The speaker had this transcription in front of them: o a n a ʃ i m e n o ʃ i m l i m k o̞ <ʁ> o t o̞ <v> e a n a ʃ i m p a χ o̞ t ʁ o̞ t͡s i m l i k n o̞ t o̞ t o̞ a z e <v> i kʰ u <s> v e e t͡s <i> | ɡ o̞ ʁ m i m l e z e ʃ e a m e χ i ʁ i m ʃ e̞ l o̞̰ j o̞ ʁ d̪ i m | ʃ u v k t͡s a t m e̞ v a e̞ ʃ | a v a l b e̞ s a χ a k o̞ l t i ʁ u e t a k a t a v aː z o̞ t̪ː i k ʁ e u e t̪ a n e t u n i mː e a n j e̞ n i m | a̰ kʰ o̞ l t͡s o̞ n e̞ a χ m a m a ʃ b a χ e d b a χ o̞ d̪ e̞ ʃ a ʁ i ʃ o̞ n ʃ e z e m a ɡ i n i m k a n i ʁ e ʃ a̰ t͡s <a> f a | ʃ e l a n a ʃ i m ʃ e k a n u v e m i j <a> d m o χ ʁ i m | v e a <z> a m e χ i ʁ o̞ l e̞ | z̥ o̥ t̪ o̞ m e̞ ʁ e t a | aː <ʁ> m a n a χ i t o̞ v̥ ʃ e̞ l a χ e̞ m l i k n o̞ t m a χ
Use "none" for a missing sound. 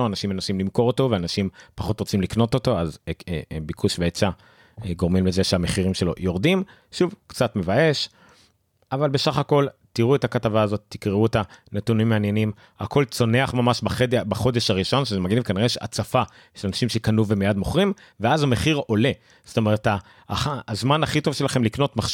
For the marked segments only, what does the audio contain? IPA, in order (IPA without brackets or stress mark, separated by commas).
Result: ʁ, v, b, ʃ, a, a, a, z, z